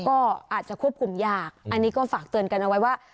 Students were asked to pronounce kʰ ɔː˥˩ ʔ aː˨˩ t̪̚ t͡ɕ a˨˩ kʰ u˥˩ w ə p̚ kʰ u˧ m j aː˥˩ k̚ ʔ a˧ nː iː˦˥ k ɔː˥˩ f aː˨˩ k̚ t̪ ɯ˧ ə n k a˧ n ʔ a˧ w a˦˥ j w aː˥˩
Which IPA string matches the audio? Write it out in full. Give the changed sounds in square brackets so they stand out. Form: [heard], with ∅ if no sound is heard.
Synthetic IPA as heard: [k] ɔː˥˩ ʔ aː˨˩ t̪̚ t͡ɕ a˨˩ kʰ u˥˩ [∅] ə p̚ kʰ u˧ m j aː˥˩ k̚ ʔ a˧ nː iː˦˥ k ɔː˥˩ f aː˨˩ k̚ t̪ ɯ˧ ə n k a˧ n ʔ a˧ w a˦˥ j w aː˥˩